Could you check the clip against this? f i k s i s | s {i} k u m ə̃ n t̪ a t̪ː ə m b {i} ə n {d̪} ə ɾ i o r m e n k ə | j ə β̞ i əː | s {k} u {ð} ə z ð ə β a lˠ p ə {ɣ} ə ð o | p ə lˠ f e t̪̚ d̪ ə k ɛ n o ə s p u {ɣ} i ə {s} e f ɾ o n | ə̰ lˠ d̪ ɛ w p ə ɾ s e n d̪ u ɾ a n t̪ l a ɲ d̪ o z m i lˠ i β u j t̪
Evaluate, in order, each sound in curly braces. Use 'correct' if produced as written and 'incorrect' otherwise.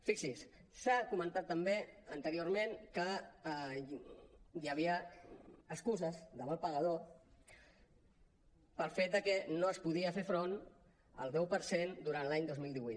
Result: incorrect, incorrect, incorrect, correct, incorrect, correct, incorrect, incorrect

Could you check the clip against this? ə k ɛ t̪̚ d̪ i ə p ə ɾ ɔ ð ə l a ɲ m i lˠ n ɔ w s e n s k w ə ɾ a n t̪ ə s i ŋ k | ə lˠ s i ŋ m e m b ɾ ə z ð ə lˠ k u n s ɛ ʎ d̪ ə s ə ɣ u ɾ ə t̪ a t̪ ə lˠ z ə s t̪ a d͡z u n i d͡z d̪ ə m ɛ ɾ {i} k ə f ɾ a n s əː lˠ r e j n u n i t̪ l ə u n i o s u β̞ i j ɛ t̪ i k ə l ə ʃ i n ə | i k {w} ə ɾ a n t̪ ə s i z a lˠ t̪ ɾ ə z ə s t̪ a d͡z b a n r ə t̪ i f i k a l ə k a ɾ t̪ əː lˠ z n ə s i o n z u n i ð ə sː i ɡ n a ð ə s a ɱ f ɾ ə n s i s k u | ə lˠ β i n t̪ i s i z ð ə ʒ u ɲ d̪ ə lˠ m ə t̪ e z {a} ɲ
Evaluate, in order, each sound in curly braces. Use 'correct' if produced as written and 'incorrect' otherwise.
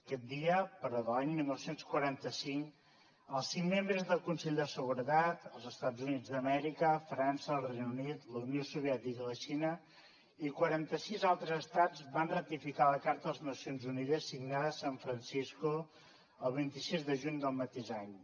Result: correct, correct, correct

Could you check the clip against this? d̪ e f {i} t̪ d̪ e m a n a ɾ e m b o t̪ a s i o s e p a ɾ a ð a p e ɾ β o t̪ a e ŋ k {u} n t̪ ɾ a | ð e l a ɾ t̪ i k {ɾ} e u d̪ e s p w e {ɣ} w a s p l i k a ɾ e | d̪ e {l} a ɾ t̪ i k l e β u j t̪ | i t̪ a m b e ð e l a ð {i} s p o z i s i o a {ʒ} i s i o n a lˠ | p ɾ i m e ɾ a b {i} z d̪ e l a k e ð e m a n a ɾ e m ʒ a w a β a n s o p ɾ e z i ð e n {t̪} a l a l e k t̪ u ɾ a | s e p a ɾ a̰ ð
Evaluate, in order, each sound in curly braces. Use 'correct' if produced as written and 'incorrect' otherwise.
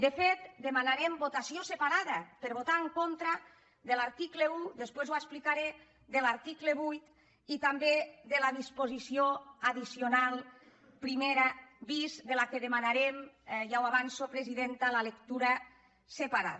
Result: incorrect, incorrect, incorrect, incorrect, correct, correct, incorrect, correct, correct

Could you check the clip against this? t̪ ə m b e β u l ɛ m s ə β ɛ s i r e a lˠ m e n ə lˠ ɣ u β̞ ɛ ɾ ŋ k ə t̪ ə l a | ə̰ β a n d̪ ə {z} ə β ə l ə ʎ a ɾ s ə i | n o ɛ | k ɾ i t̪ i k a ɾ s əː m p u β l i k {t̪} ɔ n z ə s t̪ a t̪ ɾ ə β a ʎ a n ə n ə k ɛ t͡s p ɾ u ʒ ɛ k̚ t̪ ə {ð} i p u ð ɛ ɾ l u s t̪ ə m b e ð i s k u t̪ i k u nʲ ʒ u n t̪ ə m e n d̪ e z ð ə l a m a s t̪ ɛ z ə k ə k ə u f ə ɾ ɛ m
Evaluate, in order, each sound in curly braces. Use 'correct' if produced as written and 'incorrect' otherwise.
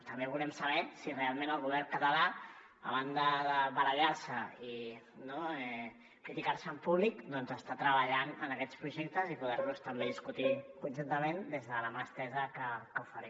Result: incorrect, incorrect, incorrect

